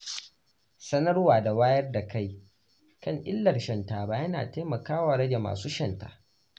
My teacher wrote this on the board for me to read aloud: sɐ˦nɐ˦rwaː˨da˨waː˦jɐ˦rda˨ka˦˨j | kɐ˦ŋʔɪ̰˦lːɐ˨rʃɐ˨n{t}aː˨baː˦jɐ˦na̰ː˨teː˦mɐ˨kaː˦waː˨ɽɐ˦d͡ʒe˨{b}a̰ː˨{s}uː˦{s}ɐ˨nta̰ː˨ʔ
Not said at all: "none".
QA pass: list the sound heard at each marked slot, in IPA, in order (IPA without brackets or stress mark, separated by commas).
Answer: t, m, s, ʃ